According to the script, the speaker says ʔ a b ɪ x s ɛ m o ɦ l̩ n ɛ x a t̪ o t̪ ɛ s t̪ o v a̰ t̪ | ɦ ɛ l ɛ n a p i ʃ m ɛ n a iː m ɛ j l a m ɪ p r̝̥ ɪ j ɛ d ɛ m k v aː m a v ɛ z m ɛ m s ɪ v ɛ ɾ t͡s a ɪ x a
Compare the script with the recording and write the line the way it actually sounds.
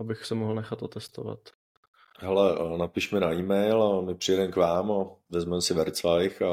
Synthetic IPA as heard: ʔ a b ɪ x s ɛ m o ɦ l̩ n ɛ x a t̪ o t̪ ɛ s t̪ o v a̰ t̪ | ɦ ɛ l ɛ n a p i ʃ m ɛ n a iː m ɛ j l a m ɪ p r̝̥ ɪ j ɛ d ɛ m k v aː m a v ɛ z m ɛ m s ɪ v ɛ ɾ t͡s a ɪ x a